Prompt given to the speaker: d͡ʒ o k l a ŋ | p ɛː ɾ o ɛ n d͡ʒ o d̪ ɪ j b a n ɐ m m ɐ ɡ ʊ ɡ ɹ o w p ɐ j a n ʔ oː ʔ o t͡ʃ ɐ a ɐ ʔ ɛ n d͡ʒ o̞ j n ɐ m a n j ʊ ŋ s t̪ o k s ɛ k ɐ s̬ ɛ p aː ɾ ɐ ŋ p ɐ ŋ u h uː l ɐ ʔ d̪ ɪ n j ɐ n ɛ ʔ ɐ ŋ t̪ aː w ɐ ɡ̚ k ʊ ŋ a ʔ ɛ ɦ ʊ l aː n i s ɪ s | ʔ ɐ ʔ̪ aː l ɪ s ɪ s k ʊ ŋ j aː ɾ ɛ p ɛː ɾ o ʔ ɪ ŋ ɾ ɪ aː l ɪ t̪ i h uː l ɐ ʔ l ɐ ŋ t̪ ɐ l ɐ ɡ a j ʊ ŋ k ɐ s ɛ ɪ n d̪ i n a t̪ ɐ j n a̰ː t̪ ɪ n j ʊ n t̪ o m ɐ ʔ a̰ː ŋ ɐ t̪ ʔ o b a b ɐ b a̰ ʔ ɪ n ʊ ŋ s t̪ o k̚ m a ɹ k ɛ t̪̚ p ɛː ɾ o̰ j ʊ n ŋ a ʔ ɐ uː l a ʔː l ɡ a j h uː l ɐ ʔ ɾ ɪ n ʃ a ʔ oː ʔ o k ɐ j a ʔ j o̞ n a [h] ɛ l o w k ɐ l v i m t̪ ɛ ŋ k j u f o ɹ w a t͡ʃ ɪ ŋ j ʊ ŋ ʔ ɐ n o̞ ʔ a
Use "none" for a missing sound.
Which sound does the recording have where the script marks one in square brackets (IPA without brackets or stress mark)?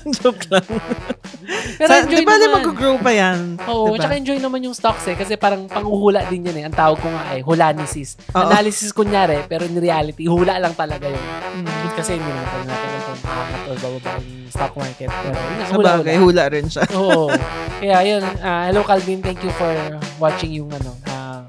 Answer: h